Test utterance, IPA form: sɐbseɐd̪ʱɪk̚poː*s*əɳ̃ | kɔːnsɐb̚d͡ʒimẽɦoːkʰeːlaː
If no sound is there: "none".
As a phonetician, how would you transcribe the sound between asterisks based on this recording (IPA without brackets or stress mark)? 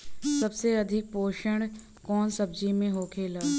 ʃ